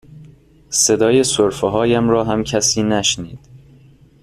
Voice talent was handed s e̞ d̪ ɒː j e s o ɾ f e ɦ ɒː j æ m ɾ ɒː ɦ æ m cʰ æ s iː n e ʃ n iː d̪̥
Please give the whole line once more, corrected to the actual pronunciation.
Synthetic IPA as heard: s e̞ d̪ ɒː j e s o ɾ f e ɦ ɒː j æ m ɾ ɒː ɦ æ m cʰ æ s iː n æ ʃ n iː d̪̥